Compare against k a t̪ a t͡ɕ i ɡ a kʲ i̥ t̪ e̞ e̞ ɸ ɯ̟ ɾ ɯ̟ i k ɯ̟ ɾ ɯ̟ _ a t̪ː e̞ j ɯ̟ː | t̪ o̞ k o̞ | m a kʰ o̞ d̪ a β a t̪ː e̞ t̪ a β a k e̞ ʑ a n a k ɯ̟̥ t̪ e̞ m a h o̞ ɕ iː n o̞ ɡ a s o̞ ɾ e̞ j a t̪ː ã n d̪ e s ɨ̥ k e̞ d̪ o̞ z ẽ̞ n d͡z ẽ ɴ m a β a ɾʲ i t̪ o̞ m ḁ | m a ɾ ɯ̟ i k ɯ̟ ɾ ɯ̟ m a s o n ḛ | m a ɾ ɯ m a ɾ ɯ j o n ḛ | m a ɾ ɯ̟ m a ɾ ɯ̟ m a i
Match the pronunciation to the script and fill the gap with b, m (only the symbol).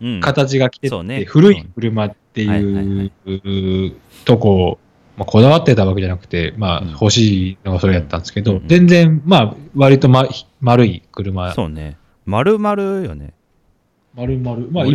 m